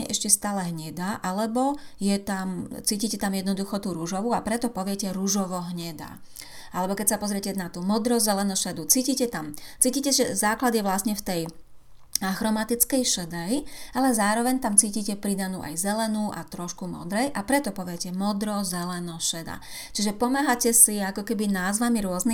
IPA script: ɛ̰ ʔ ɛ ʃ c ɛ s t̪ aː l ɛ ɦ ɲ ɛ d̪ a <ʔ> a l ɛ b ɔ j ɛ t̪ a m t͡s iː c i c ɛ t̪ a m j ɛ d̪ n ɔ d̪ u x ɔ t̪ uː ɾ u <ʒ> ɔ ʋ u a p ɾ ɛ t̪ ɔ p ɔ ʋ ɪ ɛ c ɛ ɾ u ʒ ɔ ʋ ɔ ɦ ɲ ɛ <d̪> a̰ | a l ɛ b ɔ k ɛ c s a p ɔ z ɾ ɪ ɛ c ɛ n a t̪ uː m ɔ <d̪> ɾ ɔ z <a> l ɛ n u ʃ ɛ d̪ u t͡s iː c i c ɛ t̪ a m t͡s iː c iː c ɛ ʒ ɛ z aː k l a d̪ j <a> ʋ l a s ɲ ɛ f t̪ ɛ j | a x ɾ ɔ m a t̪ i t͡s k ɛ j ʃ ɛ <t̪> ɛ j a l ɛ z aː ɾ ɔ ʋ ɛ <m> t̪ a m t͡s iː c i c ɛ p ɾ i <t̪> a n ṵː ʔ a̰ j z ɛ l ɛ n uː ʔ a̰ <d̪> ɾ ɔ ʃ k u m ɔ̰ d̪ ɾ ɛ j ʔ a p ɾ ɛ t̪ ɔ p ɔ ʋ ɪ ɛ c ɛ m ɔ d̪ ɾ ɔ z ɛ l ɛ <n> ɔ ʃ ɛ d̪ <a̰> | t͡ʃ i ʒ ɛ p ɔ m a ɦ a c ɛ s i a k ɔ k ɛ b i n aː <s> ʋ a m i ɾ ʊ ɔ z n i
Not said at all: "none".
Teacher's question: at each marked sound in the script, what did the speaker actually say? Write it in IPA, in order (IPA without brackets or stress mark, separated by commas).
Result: ʔ, ʒ, d̪, d̪, ɛ, ɛ, d̪, ɲ, d̪, t̪, n, a̰, z